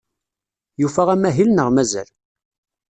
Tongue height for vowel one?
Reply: high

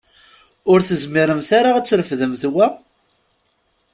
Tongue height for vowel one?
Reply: high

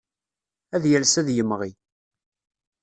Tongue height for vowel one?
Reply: low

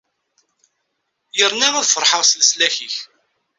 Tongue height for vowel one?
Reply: mid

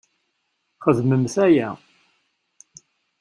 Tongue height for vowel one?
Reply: mid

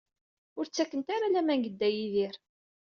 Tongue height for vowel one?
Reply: high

